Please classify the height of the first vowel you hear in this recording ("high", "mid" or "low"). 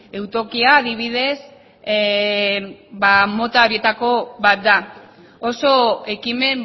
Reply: mid